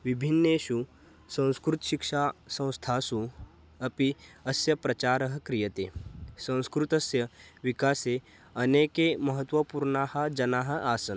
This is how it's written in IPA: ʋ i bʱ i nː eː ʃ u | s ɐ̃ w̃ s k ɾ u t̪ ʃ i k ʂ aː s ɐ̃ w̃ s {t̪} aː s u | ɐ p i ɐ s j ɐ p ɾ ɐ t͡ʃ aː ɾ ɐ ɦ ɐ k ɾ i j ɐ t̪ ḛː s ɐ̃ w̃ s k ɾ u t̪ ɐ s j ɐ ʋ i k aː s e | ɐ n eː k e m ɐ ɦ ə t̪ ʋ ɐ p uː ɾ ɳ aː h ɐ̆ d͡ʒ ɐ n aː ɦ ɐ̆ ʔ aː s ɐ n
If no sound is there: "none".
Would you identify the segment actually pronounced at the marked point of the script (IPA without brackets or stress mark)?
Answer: t̪ʰ